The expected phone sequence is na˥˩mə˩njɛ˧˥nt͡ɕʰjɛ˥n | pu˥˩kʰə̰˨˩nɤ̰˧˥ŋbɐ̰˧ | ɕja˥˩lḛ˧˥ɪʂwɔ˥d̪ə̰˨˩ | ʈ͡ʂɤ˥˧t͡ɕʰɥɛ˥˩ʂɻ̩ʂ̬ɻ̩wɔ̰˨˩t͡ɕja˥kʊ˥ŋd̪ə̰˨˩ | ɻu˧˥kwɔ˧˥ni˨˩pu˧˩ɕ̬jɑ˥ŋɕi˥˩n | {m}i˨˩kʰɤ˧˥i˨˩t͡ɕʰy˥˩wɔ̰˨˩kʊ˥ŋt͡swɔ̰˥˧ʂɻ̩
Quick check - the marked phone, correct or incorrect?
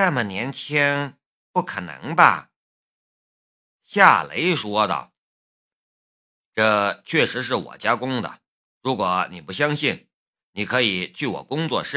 incorrect